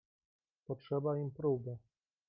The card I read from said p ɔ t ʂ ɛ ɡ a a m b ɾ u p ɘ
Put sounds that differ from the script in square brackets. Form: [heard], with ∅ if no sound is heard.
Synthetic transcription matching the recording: p ɔ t ʂ ɛ [b] a [i] m [p] ɾ u [b] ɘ